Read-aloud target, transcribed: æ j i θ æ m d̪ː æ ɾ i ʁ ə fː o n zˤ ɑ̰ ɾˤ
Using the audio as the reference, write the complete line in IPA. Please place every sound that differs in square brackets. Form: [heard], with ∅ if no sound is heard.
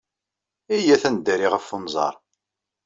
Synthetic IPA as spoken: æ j [æ] θ æ [n] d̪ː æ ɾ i ʁ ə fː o n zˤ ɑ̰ ɾˤ